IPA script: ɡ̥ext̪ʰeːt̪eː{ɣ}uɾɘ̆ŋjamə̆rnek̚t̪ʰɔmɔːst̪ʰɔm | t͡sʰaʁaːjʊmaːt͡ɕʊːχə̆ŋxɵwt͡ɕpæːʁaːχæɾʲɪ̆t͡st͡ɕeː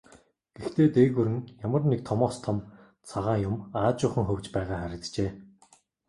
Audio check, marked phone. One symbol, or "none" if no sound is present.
ɣ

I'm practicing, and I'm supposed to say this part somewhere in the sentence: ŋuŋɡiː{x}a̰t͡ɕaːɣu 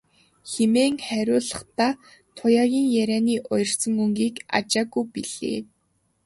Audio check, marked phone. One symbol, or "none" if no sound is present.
k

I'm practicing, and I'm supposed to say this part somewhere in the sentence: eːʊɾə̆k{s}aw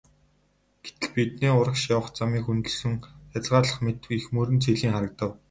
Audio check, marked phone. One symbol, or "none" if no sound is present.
ʃ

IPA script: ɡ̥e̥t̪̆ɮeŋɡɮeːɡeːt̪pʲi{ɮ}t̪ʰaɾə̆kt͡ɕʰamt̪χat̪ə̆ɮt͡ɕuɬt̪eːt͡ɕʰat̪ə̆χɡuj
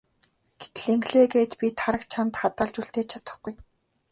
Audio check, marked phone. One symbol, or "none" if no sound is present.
none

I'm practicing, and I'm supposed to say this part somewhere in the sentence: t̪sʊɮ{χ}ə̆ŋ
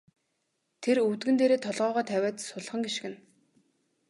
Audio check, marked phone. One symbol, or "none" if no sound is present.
χ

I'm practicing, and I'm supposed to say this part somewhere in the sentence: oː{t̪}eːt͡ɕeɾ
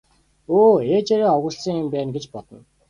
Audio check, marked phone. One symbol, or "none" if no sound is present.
none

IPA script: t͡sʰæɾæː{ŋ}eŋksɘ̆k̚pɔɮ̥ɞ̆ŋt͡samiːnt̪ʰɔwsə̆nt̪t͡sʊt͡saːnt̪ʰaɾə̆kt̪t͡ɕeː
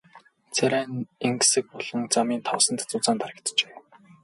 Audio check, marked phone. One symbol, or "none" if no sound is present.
n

